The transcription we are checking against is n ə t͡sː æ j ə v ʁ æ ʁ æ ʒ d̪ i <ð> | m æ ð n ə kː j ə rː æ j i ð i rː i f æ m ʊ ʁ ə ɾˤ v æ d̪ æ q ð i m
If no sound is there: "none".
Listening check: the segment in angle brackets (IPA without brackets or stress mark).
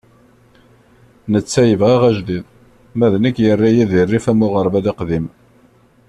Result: ð